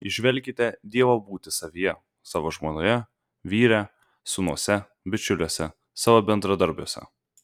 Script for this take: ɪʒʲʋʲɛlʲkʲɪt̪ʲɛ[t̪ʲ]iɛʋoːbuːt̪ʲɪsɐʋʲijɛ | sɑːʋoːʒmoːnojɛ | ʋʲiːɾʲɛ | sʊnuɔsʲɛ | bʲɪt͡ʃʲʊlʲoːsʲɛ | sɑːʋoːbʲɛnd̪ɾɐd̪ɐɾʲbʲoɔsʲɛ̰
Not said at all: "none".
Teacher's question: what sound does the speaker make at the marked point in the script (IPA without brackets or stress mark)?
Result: d̪ʲ